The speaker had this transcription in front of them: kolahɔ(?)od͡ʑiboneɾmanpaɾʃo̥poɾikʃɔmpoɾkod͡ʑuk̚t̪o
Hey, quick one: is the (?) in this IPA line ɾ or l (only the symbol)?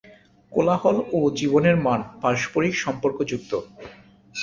l